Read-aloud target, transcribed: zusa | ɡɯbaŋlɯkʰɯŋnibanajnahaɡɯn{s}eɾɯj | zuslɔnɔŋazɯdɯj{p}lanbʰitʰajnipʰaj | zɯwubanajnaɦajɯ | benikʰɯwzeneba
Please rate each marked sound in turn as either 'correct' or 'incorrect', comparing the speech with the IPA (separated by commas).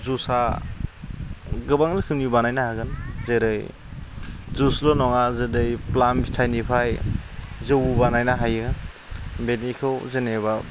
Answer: incorrect, correct